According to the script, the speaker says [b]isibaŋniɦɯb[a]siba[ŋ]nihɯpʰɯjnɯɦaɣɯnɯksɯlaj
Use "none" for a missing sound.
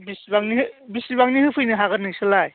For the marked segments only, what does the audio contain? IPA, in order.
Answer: b, i, ŋ

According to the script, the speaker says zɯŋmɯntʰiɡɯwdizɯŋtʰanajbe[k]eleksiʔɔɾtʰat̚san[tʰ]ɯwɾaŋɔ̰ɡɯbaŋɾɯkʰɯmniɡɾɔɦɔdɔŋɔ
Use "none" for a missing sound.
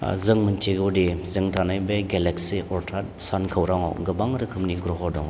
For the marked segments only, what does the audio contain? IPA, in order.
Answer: ɡ, kʰ

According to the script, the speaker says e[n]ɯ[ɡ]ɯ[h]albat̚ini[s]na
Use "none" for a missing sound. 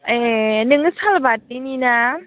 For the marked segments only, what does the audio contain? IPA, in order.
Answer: n, ŋ, s, none

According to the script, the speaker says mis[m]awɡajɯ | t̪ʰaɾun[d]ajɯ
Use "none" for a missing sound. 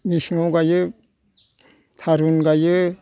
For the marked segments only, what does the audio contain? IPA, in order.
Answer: ŋ, ɡ

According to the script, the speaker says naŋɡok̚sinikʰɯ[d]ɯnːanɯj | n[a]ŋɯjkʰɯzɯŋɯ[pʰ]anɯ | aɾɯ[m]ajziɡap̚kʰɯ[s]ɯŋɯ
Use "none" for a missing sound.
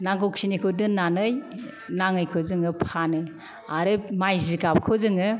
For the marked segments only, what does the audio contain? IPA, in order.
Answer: d, a, pʰ, m, z

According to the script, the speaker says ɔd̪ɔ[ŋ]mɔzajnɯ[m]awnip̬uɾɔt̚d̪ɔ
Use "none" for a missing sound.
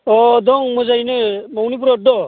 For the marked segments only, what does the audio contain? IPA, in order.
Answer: ŋ, m

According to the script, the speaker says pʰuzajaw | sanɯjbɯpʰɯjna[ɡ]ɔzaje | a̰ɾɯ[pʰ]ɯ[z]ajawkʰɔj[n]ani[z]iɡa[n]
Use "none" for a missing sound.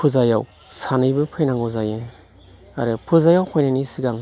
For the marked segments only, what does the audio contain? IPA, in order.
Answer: ŋ, pʰ, z, n, s, ŋ

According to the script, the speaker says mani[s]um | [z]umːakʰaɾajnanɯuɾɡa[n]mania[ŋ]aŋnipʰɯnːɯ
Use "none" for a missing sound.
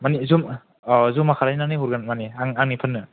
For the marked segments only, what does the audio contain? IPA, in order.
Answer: z, z, n, ŋ

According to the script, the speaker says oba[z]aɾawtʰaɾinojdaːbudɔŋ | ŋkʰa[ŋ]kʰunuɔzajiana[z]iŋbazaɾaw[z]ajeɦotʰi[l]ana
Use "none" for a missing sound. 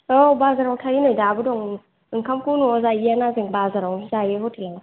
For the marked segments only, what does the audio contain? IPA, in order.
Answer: z, m, z, z, l

